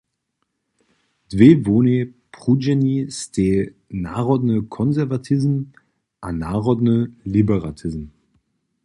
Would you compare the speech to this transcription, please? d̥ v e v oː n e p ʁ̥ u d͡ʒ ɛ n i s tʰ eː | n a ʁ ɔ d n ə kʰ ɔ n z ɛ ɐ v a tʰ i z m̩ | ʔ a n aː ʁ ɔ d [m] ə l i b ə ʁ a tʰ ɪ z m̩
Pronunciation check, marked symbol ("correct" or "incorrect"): incorrect